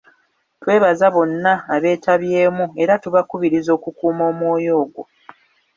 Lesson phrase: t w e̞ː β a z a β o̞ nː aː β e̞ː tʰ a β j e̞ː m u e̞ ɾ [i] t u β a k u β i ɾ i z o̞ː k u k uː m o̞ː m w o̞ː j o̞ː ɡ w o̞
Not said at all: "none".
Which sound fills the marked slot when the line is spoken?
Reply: a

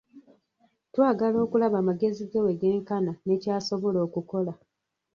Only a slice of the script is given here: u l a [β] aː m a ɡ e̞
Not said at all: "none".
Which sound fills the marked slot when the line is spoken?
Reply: β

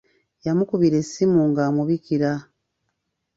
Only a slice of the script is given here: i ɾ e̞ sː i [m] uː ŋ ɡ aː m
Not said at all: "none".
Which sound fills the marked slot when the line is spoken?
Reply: m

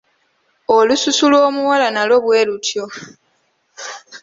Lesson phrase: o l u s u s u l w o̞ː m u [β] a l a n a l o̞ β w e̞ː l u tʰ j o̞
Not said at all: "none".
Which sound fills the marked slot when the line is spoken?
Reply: w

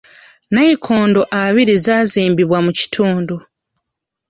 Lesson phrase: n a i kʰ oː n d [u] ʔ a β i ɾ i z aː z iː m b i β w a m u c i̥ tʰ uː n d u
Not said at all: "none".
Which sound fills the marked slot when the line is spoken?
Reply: o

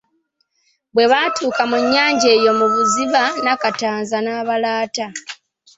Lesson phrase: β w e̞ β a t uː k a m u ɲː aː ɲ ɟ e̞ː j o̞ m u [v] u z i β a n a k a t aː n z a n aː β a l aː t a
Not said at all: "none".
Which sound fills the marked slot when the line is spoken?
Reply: β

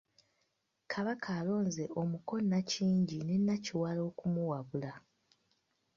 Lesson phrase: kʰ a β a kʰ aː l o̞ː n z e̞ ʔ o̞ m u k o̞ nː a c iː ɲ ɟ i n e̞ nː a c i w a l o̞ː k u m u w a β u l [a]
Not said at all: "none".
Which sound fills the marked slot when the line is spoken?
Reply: a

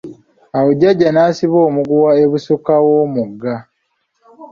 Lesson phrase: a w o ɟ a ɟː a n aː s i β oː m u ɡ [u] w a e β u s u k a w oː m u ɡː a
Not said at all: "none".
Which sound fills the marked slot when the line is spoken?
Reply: u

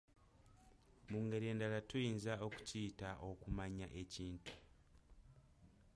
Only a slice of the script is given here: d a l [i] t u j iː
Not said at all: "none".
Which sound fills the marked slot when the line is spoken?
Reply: a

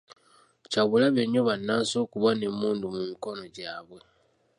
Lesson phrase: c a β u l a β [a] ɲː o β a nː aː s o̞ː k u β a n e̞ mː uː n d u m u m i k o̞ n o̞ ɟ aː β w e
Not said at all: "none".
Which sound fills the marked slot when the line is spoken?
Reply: e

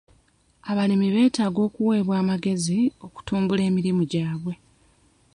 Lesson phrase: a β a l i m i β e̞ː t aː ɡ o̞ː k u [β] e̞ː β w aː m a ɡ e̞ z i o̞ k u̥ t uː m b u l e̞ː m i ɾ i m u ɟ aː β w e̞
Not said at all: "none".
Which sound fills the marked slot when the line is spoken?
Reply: w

